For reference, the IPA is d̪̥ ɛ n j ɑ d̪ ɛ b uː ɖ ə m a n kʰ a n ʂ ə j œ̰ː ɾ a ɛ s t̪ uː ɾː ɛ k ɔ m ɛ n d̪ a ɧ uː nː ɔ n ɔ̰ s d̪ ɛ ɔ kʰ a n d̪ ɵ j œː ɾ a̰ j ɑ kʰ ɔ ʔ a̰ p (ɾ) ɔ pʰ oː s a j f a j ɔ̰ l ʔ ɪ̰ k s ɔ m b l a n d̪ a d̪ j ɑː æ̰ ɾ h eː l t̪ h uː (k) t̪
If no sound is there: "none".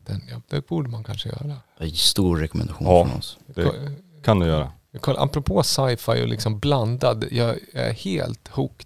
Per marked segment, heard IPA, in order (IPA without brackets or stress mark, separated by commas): ɾ, k